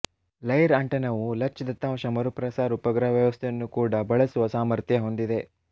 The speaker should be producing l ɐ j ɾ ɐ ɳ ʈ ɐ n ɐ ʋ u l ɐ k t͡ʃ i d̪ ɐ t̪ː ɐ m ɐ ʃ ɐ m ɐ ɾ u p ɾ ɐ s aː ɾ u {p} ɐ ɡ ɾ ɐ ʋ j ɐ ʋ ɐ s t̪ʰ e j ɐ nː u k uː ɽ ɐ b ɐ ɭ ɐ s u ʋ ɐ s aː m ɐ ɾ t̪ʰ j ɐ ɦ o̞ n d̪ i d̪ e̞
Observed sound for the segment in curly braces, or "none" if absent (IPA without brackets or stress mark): p